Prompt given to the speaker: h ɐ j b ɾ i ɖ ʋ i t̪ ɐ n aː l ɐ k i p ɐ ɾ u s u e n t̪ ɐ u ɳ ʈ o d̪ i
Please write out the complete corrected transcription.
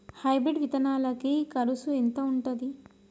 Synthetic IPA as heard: h ɐ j b ɾ i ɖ ʋ i t̪ ɐ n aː l ɐ k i k ɐ ɾ u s u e n t̪ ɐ u ɳ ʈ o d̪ i